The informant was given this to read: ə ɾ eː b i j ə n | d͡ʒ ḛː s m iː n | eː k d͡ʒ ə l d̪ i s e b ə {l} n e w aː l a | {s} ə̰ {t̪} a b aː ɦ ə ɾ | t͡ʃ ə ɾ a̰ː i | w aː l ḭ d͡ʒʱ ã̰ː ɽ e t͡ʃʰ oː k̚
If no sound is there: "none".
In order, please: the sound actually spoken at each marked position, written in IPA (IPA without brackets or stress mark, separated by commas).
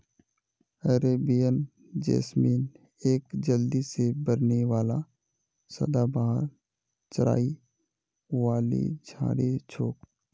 ɾ, s, d̪